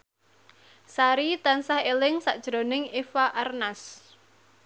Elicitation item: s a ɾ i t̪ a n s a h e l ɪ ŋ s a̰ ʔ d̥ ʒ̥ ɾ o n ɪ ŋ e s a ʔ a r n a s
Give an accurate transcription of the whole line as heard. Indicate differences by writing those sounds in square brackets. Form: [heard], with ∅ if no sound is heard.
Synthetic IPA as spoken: s a ɾ i t̪ a n s a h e l ɪ ŋ s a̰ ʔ d̥ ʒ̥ ɾ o n ɪ ŋ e [f] a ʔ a r n a s